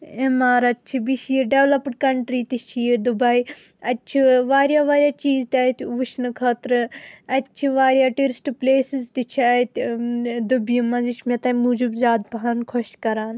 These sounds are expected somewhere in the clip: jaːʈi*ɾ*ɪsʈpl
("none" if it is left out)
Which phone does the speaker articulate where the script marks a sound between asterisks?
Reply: ɾ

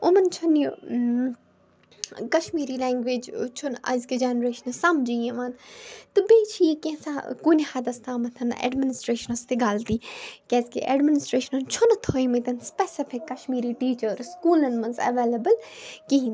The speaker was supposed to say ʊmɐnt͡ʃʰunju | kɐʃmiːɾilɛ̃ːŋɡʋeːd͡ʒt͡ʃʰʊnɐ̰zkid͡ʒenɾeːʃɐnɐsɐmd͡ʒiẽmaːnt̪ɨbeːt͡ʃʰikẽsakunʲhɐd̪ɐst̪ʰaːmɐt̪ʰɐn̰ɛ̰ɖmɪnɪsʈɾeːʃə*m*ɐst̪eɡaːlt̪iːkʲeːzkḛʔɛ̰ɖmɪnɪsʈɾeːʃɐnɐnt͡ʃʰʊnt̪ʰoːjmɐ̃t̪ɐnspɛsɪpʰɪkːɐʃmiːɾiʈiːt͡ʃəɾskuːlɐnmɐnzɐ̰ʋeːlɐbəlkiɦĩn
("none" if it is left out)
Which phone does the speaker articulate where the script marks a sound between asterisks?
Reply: n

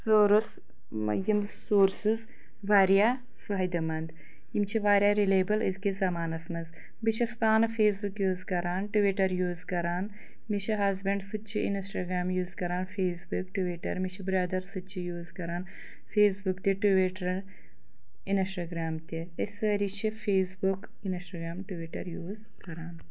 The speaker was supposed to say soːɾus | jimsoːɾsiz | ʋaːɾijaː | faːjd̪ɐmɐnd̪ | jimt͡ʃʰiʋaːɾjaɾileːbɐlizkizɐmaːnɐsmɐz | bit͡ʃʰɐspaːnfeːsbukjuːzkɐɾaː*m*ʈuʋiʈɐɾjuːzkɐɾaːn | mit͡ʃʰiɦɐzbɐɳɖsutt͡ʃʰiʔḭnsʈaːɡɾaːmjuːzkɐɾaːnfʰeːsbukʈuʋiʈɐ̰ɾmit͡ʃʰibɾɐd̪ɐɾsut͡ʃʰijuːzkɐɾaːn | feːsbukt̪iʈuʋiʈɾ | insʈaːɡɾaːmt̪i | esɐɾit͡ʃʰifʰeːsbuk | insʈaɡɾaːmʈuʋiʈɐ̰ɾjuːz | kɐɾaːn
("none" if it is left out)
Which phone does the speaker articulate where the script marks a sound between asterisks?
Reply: n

